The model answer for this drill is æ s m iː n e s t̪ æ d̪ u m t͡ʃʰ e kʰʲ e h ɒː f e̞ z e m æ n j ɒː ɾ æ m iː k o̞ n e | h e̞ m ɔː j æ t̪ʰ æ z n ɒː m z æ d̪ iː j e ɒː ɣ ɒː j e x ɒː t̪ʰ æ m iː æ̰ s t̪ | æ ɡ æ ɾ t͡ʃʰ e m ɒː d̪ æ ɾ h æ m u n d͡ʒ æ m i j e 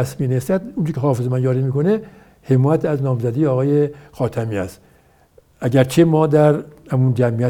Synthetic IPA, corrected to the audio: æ s m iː n e s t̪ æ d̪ u n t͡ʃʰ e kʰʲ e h ɒː f e̞ z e m æ n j ɒː ɾ i m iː k o̞ n e | h e̞ m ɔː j æ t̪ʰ æ z n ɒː m z æ d̪ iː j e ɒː ɣ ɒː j e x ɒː t̪ʰ æ m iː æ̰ s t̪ | æ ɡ æ ɾ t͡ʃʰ e m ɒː d̪ æ ɾ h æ m u n d͡ʒ æ m i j æ